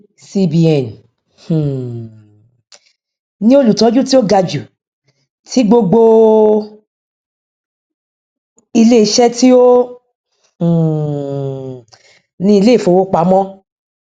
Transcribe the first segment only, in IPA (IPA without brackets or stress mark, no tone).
s